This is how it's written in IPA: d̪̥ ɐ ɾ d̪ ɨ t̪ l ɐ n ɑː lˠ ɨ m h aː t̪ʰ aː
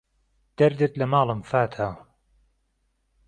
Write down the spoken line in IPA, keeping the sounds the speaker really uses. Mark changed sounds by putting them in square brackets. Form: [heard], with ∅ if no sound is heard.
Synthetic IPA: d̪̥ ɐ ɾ d̪ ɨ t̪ l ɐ [m] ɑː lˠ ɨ m [f] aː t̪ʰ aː